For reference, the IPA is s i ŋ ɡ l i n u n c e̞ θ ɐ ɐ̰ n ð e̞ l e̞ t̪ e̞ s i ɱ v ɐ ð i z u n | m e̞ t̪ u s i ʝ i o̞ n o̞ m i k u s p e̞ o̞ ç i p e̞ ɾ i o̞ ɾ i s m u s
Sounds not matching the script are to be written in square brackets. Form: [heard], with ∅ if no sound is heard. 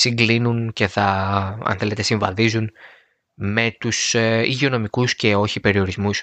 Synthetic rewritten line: s i ŋ ɡ l i n u n c e̞ θ ɐ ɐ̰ n [θ] e̞ l e̞ t̪ e̞ s i ɱ v ɐ ð i z u n | m e̞ t̪ u s i ʝ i o̞ n o̞ m i k u s [c] e̞ o̞ ç i p e̞ ɾ i o̞ ɾ i [z] m u s